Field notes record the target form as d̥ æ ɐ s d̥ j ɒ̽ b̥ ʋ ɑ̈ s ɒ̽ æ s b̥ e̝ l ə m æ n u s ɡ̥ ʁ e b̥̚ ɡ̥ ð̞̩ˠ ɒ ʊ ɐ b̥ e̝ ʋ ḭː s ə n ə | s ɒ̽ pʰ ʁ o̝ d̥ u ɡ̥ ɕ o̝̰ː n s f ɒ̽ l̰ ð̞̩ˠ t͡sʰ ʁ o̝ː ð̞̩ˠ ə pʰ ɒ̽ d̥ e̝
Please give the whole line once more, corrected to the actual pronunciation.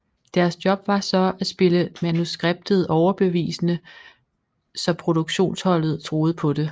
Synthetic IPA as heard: d̥ æ ɐ s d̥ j ɒ̽ b̥ ʋ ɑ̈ s ɒ̽ æ s b̥ e̝ l ə m æ n u s ɡ̥ ʁ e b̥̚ d̥ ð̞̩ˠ ɒ ʊ ɐ b̥ e̝ ʋ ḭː s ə n ə | s ɒ̽ pʰ ʁ o̝ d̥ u ɡ̥ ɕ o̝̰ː n s h ɒ̽ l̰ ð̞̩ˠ t͡sʰ ʁ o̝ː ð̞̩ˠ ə pʰ ɒ̽ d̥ e̝